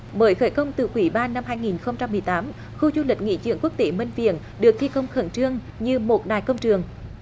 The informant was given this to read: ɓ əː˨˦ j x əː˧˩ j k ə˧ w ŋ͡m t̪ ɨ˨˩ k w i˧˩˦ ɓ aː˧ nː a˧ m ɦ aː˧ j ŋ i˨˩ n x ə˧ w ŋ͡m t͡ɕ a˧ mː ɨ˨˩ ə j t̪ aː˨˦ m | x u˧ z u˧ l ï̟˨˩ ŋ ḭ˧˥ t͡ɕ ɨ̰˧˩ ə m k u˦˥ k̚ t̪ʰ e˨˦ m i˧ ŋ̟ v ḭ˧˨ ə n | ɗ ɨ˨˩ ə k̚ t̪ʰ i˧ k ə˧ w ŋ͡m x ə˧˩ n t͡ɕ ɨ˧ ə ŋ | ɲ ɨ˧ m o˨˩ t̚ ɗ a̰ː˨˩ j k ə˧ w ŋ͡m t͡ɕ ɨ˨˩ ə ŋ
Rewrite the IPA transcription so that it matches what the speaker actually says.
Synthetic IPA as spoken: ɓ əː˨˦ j x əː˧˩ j k ə˧ w ŋ͡m t̪ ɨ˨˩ k w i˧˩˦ ɓ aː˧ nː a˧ m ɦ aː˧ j ŋ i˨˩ n x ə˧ w ŋ͡m t͡ɕ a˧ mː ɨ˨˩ ə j t̪ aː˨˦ m | x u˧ z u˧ l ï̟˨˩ ŋ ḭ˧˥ t͡ɕ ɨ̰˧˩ ə ŋ k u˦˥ k̚ t̪ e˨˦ m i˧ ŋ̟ v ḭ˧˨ ə n | ɗ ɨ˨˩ ə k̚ t̪ʰ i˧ k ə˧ w ŋ͡m x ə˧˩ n t͡ɕ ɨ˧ ə ŋ | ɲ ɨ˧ m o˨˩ t̚ ɗ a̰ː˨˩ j k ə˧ w ŋ͡m t͡ɕ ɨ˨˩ ə ŋ